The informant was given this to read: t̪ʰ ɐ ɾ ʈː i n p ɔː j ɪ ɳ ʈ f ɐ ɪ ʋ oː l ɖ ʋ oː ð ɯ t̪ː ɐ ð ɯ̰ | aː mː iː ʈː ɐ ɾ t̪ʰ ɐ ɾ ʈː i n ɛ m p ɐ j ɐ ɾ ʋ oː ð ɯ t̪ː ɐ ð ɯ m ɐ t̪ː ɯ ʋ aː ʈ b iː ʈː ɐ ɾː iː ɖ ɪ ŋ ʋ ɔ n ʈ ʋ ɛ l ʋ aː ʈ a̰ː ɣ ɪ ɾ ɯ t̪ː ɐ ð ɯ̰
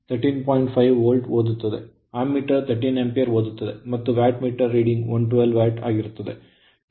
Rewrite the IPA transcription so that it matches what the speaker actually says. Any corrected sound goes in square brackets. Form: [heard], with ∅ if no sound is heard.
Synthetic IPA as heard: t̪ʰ ɐ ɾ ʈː i n p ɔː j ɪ ɳ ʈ f ɐ ɪ ʋ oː l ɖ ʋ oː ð ɯ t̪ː ɐ ð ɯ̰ | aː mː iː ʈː ɐ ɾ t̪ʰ ɐ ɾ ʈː i n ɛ m p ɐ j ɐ ɾ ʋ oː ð ɯ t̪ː ɐ ð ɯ m ɐ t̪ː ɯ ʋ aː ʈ [m] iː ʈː ɐ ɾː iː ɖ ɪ ŋ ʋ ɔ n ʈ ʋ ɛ l ʋ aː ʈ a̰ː ɣ ɪ ɾ ɯ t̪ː ɐ ð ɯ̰